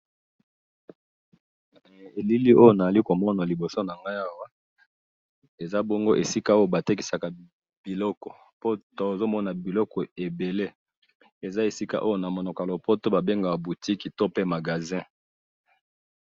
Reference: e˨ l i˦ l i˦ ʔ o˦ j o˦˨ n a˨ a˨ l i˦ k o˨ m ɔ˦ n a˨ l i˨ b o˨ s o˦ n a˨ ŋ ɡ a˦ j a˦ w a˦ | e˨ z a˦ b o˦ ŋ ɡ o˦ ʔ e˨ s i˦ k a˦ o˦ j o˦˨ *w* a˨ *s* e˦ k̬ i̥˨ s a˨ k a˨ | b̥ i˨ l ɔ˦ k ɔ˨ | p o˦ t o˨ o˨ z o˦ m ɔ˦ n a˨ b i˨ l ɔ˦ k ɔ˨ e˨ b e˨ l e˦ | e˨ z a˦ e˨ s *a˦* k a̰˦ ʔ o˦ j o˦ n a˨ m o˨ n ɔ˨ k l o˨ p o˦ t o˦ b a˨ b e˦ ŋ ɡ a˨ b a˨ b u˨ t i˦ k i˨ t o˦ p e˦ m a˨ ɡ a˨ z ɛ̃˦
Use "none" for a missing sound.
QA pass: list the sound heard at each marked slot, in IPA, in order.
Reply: b, t, i˦

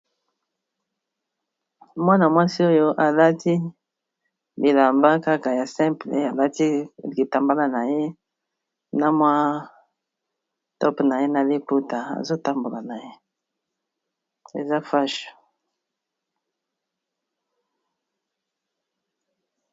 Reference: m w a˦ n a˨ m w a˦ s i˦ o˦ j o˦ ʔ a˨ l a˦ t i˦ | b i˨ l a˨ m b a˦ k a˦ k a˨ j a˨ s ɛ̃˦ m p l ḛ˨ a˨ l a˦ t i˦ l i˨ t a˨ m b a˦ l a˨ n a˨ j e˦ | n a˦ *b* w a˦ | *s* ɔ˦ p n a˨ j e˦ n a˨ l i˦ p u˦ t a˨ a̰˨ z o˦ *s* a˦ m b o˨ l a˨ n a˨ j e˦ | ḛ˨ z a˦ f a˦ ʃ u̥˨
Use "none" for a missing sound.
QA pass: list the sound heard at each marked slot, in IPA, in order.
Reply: m, t, t

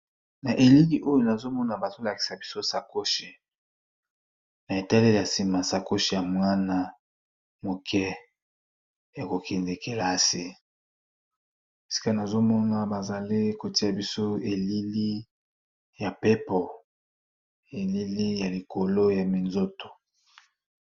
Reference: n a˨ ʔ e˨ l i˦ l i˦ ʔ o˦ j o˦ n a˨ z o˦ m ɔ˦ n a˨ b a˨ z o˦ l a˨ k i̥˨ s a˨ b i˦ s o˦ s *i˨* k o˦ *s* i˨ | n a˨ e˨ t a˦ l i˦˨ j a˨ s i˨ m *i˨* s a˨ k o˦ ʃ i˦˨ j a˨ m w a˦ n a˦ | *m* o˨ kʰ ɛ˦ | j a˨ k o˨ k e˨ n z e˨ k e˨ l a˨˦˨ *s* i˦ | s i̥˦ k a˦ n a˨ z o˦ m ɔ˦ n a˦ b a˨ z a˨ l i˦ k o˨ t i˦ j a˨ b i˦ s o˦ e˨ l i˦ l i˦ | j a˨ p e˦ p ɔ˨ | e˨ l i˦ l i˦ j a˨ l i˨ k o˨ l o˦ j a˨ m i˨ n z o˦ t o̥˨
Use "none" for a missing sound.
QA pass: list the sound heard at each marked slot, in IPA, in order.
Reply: a˨, ʃ, a˨, m, s

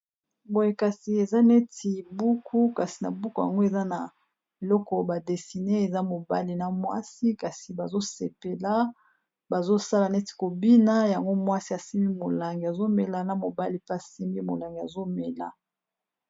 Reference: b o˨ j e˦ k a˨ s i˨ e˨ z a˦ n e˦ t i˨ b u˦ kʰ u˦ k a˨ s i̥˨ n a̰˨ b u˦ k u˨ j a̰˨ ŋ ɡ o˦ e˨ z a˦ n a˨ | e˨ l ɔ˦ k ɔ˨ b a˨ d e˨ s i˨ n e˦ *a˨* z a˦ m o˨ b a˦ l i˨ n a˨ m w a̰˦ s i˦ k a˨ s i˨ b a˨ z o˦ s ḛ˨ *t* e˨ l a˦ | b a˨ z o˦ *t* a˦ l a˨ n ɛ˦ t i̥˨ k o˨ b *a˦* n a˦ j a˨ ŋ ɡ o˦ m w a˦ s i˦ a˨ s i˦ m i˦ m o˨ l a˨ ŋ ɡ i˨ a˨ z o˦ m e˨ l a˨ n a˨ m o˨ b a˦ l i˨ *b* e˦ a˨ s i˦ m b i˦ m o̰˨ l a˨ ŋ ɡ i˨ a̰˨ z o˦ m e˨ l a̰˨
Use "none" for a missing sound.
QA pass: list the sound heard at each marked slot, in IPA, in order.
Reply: e˨, p, s, i˦, p

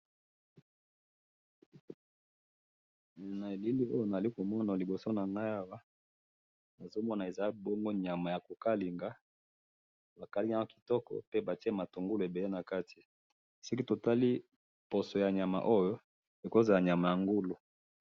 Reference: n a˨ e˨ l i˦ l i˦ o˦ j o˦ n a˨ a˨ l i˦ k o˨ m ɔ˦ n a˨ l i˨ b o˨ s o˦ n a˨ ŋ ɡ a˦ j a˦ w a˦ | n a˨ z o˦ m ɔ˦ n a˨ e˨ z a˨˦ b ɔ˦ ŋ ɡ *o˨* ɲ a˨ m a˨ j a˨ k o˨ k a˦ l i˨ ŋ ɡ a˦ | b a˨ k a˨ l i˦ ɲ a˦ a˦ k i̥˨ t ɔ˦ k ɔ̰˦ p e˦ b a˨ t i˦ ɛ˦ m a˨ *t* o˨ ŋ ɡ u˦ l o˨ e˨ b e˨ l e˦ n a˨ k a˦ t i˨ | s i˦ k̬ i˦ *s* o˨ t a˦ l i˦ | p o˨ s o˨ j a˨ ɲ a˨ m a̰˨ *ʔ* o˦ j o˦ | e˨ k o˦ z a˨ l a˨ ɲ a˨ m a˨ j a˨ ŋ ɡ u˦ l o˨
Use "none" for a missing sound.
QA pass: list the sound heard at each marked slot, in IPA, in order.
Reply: o˦, t, t, ʔ

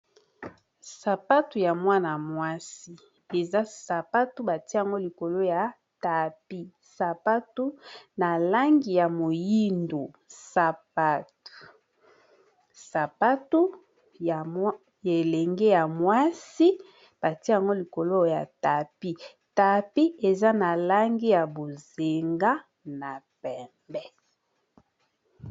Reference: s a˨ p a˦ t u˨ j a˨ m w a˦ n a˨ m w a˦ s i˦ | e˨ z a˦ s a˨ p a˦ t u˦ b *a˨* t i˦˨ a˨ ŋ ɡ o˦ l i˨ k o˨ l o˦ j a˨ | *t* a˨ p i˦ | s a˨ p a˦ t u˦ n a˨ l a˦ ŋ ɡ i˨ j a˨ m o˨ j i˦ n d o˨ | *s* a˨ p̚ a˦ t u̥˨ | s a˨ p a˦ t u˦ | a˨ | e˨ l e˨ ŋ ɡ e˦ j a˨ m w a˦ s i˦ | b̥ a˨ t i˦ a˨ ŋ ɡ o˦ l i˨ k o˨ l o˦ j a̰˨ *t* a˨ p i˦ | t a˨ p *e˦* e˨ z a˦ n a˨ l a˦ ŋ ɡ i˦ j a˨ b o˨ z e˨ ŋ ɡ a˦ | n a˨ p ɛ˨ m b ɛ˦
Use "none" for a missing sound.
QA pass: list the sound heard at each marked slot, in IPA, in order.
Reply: a˨, t, s, t, i˦

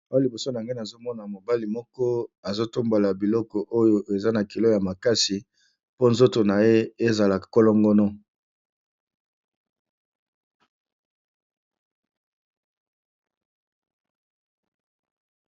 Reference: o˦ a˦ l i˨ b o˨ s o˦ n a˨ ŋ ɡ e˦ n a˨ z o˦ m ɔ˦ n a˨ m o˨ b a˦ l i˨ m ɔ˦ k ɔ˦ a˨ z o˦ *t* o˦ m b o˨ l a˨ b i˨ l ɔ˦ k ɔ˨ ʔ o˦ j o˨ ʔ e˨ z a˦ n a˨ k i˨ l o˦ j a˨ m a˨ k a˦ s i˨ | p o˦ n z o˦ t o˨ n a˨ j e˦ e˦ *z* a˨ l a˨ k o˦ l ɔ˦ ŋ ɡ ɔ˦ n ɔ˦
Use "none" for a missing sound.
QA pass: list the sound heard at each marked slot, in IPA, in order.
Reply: t, z

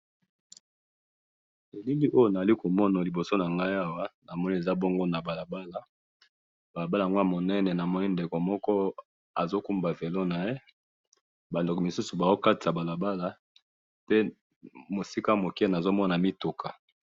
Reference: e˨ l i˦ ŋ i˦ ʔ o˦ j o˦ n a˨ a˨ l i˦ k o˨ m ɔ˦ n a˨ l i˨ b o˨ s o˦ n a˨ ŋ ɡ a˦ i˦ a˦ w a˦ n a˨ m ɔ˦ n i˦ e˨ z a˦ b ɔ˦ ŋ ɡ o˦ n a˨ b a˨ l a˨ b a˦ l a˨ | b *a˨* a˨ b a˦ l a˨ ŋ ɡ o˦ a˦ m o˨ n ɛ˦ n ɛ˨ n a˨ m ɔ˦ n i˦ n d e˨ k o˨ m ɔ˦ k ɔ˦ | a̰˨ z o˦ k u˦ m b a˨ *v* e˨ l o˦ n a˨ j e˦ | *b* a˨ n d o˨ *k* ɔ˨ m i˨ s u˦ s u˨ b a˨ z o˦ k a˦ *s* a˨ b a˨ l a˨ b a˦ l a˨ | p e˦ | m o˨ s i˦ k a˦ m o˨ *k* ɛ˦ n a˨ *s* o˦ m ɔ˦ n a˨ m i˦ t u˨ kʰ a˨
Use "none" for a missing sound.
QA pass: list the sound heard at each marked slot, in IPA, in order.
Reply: a˨, v, b, k, t, k, z

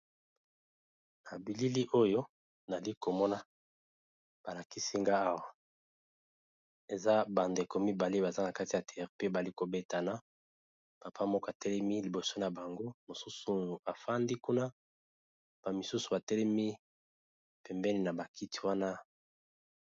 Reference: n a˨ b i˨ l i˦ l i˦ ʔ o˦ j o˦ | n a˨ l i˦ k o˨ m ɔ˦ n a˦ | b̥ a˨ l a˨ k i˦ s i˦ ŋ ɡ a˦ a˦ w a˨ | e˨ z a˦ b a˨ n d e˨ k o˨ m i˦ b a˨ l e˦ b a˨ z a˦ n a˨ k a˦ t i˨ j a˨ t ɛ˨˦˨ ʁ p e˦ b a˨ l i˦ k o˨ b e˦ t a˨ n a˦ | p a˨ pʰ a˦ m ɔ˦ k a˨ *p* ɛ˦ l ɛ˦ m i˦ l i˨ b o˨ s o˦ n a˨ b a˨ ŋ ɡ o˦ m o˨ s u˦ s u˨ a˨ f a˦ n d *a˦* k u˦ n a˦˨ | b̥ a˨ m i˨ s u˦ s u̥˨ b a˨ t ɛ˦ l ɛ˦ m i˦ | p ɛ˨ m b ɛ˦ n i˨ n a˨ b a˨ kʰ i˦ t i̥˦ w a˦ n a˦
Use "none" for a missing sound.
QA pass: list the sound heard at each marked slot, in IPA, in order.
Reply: t, i˦

